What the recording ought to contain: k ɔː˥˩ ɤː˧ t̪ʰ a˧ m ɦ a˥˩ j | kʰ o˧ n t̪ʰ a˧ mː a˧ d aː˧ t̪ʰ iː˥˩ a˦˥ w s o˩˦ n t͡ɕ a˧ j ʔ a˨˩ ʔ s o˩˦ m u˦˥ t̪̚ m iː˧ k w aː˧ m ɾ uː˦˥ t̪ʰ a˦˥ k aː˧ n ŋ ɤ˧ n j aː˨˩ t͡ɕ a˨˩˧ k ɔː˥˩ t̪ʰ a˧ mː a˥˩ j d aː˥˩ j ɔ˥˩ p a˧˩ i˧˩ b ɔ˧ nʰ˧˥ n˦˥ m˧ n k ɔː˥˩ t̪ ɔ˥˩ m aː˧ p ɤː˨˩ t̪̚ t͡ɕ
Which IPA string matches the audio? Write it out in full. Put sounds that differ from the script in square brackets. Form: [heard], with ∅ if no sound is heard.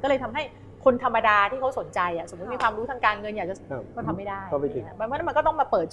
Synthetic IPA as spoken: k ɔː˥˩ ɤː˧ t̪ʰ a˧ m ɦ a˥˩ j | kʰ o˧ n t̪ʰ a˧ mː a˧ d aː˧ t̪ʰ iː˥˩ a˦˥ w s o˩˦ n t͡ɕ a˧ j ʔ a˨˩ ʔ s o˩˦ m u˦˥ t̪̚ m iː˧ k w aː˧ m ɾ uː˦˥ t̪ʰ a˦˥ k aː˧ n ŋ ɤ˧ n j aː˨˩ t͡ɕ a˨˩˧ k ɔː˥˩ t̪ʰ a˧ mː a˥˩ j d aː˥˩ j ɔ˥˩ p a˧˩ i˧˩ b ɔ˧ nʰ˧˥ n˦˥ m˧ n k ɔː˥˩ t̪ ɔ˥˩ m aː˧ p ɤː˨˩ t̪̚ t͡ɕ